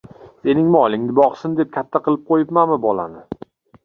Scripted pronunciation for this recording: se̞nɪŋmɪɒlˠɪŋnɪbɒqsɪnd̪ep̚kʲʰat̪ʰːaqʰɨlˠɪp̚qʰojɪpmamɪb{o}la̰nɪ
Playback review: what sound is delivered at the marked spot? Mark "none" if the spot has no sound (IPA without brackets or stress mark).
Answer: ɒ